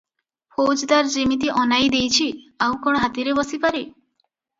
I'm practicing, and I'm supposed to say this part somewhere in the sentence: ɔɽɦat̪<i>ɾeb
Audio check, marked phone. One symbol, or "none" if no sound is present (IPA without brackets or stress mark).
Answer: i